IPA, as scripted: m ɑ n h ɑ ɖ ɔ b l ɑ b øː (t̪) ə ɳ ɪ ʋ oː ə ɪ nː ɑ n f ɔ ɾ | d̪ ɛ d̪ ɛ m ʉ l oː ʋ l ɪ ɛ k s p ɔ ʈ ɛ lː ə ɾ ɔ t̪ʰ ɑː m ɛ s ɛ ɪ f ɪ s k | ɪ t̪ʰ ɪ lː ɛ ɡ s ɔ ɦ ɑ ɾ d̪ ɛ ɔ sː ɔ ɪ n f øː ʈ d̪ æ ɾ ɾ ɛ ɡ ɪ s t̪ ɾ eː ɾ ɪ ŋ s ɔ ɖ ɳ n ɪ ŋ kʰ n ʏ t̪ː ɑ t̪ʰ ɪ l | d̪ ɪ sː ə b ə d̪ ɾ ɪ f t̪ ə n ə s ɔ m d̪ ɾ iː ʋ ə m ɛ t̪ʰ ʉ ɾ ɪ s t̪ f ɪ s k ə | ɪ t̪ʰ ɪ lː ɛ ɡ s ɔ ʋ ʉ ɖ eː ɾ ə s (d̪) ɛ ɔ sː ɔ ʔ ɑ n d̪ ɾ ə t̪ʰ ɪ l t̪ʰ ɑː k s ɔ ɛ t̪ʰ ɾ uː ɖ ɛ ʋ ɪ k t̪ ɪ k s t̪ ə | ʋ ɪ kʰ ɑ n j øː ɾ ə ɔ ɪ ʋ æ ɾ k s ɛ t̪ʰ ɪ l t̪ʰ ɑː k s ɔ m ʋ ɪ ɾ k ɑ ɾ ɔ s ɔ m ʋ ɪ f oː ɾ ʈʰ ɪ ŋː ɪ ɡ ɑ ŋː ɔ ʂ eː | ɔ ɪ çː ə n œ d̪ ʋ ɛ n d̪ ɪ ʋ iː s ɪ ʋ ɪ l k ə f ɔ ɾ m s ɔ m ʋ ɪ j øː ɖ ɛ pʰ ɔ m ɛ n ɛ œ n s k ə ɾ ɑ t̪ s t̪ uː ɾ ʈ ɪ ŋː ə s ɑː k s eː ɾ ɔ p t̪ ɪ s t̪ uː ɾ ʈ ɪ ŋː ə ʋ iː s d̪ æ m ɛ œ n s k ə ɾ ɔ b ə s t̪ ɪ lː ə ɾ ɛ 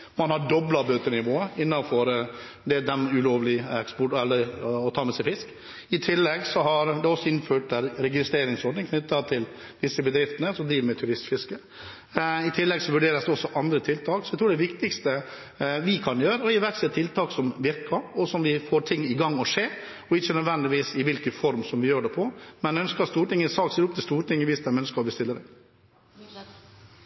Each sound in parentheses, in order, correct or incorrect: correct, correct

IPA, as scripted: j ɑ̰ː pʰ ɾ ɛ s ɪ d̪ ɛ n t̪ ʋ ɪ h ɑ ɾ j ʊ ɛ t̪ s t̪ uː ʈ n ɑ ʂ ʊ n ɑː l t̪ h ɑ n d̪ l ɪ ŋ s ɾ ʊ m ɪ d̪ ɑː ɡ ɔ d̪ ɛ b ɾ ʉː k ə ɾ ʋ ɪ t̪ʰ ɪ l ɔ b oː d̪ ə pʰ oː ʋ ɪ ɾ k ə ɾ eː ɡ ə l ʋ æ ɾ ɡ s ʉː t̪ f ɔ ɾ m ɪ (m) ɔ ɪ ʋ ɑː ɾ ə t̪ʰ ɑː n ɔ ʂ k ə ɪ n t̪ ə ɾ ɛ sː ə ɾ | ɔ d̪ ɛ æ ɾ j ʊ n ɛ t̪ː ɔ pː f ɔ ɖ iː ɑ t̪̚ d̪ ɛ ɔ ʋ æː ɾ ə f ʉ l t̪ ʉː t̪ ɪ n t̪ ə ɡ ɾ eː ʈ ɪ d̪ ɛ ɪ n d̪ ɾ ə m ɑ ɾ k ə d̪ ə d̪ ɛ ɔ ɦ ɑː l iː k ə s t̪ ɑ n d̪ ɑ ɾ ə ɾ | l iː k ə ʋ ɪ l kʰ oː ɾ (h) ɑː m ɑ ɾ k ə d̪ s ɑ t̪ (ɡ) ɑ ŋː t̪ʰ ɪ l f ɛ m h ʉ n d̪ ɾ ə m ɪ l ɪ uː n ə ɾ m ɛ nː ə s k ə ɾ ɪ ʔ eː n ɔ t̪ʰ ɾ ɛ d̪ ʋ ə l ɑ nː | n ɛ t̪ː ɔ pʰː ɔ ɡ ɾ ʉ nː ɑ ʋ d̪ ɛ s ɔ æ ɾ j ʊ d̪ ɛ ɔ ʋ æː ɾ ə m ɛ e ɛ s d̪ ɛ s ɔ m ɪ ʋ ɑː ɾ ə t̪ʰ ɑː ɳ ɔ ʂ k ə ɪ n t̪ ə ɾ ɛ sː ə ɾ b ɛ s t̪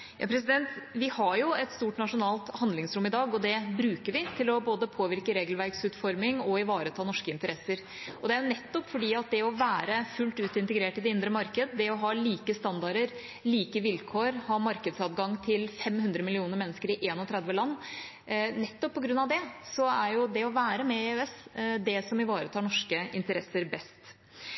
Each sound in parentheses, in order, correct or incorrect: incorrect, correct, correct

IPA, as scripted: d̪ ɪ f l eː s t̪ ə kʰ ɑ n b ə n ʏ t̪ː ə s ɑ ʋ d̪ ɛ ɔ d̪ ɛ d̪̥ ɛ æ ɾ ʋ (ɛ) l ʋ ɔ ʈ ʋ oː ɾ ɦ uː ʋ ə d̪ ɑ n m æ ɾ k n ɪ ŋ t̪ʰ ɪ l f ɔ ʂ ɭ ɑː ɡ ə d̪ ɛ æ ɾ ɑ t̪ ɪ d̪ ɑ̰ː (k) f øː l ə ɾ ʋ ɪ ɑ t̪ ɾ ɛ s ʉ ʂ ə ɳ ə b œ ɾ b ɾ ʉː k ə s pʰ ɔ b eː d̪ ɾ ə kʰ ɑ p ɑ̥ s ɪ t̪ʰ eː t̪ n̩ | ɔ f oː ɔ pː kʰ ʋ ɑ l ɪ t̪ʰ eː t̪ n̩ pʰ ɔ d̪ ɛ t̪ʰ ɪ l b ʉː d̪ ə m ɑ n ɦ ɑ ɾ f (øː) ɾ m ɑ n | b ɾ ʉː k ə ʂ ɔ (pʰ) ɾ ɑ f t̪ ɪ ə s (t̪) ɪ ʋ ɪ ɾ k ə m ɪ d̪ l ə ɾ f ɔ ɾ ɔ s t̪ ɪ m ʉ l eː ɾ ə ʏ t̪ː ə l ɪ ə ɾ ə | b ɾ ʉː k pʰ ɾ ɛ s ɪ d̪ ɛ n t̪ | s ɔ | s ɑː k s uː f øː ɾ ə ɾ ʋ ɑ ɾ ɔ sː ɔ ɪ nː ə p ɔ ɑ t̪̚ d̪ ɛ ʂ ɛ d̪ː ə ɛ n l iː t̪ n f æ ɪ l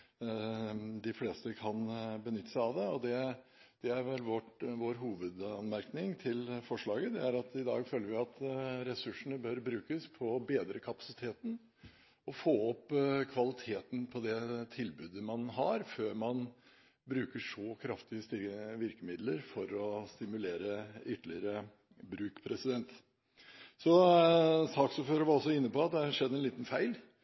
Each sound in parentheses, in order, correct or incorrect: correct, incorrect, correct, incorrect, correct

